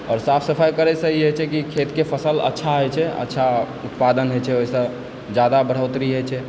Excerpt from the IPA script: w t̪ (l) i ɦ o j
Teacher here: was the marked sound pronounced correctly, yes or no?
no